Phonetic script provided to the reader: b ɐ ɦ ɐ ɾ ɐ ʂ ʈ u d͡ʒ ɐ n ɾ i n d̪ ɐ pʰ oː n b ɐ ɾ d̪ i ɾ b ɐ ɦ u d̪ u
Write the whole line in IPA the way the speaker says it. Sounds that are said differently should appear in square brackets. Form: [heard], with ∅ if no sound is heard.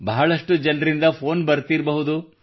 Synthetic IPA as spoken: b ɐ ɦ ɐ [ɭ] ɐ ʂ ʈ u d͡ʒ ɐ n ɾ i n d̪ ɐ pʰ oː n b ɐ ɾ [t̪] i ɾ b ɐ ɦ u d̪ u